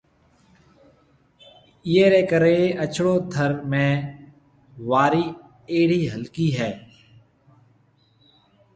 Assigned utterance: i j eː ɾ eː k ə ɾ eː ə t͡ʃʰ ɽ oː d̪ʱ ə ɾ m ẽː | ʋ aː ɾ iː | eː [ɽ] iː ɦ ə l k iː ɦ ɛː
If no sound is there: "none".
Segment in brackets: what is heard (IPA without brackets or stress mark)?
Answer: ɽ